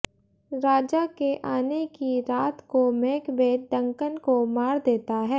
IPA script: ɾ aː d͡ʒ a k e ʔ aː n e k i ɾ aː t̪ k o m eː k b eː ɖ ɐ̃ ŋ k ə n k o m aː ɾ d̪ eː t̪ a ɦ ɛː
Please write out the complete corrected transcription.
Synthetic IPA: ɾ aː d͡ʒ a k e ʔ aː n e k i ɾ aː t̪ k o m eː k b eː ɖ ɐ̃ ŋ k ə n k o m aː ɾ d̪ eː t̪ a ɦ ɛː

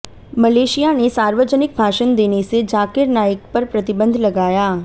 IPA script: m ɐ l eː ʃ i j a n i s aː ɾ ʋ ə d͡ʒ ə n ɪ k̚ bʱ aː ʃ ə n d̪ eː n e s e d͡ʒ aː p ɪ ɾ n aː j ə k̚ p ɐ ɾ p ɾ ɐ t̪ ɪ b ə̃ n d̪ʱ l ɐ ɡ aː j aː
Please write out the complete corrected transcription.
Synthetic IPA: m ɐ l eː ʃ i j a n e s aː ɾ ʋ ə d͡ʒ ə n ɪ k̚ bʱ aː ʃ ə n d̪ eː n e s e d͡ʒ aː k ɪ ɾ n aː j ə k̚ p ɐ ɾ p ɾ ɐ t̪ ɪ b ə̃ n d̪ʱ l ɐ ɡ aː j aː

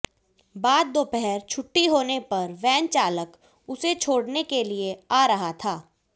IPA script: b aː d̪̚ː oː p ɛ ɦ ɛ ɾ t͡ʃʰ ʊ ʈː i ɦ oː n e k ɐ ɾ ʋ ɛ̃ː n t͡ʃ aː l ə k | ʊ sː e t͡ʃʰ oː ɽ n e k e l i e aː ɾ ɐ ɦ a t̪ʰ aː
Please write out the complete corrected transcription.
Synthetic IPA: b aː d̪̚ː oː p ɛ ɦ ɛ ɾ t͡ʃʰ ʊ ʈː i ɦ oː n e p ɐ ɾ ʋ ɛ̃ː n t͡ʃ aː l ə k | ʊ s e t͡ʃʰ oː ɽ n e k e l i e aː ɾ ɐ ɦ a t̪ʰ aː

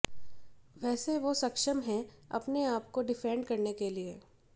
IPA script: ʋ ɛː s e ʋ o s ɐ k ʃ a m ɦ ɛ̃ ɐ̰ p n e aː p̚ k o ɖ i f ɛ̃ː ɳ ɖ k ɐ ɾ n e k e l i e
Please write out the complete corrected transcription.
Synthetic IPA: ʋ ɛː s e ʋ o s ɐ k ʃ ə m ɦ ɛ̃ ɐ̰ p n e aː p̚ k o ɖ ɪ f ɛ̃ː ɳ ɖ k ɐ ɾ n e k e l i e

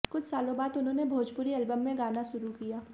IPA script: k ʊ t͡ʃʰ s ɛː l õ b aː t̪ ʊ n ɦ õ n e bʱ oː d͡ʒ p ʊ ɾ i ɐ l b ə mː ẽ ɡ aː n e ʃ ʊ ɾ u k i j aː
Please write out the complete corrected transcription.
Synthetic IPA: k ʊ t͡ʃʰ s aː l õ b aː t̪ ʊ n ɦ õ n e bʱ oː d͡ʒ p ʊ ɾ i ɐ l b ə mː ẽ ɡ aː n a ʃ ʊ ɾ u k i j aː

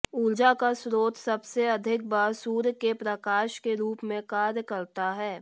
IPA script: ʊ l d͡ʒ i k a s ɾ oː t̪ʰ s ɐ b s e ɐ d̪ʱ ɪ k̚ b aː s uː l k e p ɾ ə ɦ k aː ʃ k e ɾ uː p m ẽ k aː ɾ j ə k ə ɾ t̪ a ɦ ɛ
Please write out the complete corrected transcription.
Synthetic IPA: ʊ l d͡ʒ a k a s ɾ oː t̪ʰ s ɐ b s e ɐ d̪ʱ ɪ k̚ b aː s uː ɾ k e p ɾ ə k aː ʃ k e ɾ uː p m ẽ k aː ɾ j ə k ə ɾ t̪ a ɦ ɛː

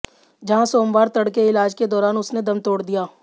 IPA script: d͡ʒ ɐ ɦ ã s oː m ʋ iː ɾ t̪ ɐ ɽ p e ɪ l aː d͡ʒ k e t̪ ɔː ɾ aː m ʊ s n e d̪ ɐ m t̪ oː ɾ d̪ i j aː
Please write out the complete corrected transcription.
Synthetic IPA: d͡ʒ ɐ ɦ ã s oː m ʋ aː ɾ t̪ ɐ ɽ k e ɪ l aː d͡ʒ k e d̪ ɔː ɾ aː n ʊ s n e d̪ ɐ m t̪ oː ɽ d̪ i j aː

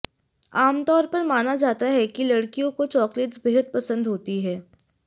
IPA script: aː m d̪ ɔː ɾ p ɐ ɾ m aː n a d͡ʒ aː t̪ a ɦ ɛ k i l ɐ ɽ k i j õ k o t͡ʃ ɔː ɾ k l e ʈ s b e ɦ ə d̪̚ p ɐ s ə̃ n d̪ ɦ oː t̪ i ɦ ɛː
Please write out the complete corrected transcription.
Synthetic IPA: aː m t̪ ɔː ɾ p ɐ ɾ m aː n a d͡ʒ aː t̪ a ɦ ɛ k i l ɐ ɽ k i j õ k o t͡ʃ ɔː k l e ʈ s b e ɦ ə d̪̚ p ɐ s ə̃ n d̪ ɦ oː t̪ i ɦ ɛː

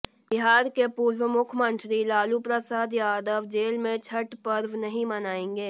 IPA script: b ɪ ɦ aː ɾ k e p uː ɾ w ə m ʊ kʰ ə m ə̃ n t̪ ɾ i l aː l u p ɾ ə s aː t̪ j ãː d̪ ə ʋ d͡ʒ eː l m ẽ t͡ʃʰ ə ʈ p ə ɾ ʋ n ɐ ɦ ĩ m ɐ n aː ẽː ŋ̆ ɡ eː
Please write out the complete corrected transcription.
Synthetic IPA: b ɪ ɦ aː ɾ k e p uː ɾ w ə m ʊ kʰ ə m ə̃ n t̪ ɾ i l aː l u p ɾ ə s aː d̪ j aː d̪ ə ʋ d͡ʒ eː l m ẽ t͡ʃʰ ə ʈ p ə ɾ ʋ n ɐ ɦ ĩ m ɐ n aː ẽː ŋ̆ ɡ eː

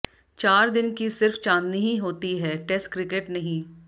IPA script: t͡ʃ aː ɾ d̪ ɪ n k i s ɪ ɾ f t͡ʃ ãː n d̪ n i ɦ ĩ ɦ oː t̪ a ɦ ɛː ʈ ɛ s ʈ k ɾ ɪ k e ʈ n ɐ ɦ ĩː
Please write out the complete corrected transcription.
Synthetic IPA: t͡ʃ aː ɾ d̪ ɪ n k i s ɪ ɾ f t͡ʃ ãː n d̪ n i ɦ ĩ ɦ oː t̪ i ɦ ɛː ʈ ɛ s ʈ k ɾ ɪ k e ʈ n ɐ ɦ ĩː

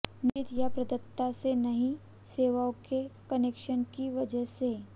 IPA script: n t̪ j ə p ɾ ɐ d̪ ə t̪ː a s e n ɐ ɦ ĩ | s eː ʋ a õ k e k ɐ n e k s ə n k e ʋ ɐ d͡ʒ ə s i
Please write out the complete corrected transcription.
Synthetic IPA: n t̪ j a p ɾ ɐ d̪ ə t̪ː a s e n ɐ ɦ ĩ | s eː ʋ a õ k e k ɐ n e k ʃ ə n k i ʋ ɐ d͡ʒ ə s e

